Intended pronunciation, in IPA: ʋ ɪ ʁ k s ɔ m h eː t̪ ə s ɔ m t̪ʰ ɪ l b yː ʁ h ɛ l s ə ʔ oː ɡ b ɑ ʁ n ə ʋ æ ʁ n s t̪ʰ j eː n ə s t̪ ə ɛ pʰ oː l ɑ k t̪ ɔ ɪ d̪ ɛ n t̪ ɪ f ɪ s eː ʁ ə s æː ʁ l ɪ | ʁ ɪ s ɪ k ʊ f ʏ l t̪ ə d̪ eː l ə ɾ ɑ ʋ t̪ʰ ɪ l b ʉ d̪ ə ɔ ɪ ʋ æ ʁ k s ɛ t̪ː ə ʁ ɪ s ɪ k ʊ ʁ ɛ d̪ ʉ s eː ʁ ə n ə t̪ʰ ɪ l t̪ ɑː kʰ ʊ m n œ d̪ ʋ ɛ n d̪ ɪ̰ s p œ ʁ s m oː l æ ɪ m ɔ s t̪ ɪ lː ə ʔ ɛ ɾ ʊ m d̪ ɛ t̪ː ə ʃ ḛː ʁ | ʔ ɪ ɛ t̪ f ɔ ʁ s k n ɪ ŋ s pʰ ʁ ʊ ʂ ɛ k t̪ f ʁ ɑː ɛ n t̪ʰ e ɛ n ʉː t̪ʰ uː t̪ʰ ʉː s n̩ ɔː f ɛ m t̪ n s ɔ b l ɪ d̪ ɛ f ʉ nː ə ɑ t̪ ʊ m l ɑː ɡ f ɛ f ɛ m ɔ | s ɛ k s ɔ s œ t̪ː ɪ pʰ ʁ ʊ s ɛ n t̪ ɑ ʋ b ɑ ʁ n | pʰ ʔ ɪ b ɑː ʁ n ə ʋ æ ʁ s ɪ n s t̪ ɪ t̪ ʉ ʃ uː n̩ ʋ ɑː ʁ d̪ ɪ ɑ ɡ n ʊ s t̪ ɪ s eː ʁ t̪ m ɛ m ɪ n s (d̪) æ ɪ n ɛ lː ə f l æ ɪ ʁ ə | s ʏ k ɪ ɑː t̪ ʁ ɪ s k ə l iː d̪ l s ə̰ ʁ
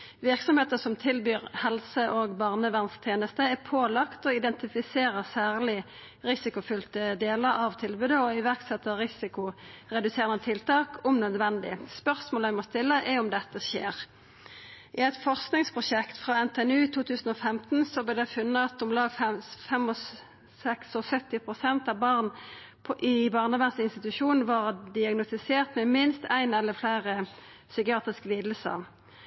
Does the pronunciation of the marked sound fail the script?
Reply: yes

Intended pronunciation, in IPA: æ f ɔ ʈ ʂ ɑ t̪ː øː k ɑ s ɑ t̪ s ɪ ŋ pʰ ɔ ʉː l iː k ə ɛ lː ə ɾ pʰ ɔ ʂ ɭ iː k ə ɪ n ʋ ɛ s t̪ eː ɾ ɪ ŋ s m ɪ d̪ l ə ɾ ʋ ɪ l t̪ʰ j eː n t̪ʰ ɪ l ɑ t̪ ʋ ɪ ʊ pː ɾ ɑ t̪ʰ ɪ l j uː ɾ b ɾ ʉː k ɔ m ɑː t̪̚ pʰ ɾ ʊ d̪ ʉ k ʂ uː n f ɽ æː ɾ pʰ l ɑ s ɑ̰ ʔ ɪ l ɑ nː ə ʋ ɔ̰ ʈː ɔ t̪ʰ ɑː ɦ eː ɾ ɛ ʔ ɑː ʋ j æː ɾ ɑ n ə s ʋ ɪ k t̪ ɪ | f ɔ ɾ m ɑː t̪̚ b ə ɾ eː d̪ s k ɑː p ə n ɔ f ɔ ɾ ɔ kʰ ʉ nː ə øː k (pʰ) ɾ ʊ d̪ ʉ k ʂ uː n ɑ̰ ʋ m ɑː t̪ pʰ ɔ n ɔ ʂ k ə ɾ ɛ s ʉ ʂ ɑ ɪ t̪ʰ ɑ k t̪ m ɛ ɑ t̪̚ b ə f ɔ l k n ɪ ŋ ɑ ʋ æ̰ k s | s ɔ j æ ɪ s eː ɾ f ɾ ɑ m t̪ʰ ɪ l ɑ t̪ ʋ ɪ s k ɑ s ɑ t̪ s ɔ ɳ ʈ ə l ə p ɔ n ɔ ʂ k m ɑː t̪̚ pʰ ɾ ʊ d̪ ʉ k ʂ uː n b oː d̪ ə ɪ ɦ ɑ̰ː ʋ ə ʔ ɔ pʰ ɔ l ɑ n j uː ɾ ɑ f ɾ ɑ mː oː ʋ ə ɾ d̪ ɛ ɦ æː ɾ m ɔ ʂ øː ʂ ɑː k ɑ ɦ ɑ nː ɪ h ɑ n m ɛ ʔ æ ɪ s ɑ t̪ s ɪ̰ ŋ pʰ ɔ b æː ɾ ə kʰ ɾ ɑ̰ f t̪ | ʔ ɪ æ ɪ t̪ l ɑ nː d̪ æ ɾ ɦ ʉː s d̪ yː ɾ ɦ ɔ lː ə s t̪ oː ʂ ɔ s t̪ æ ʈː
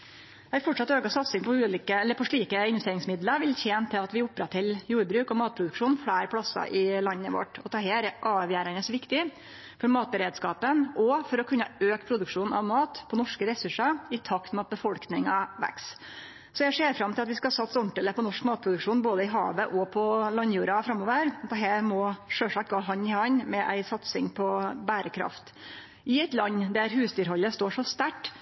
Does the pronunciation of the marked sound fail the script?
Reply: no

